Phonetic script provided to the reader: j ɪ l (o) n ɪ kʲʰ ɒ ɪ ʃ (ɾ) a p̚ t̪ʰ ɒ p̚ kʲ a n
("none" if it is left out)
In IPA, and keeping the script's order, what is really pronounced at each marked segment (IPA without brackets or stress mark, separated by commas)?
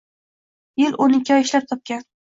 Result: o, l